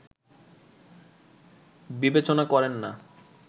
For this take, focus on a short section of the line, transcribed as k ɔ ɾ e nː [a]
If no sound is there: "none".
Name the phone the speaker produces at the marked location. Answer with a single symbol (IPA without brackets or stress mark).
a